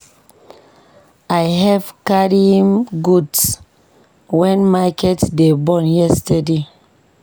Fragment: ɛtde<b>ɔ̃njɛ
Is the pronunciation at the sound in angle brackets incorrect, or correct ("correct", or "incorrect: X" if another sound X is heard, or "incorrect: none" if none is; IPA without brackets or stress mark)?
correct